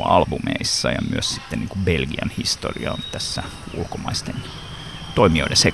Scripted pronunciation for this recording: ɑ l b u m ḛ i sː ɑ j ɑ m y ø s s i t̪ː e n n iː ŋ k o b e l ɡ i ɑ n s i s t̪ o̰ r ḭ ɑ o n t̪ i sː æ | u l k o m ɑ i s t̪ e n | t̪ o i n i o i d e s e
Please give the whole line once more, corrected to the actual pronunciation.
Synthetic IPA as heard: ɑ l b u m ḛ i sː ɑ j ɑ m y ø s s i t̪ː e n n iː ŋ k u b e l ɡ i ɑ n h i s t̪ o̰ r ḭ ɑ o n t̪ æ sː æ | u l k o m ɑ i s t̪ e n | t̪ o i m i o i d e s e